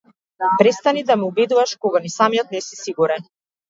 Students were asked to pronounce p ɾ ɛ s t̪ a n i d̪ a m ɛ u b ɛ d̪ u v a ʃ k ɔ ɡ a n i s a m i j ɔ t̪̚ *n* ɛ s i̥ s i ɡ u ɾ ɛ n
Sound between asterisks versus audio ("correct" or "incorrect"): correct